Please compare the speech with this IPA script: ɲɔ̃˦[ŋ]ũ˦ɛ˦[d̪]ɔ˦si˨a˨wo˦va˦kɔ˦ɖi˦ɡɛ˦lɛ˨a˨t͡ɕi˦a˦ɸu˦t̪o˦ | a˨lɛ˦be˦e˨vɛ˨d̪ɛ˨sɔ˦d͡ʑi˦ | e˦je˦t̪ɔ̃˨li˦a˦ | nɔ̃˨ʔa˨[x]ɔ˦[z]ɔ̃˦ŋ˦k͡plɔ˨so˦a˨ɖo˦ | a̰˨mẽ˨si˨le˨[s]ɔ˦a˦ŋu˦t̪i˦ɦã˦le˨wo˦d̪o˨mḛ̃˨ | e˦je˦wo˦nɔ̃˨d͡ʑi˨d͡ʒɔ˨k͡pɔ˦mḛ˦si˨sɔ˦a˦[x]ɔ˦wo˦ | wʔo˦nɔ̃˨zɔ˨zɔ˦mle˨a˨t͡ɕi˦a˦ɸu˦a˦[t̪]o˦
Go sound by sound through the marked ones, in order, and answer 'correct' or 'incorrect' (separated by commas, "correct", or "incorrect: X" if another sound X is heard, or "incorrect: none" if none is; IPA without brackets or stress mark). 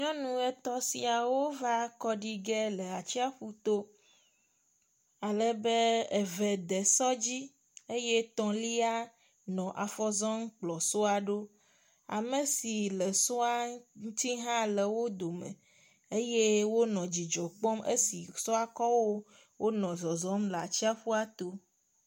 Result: incorrect: n, incorrect: t̪, incorrect: f, correct, correct, incorrect: k, correct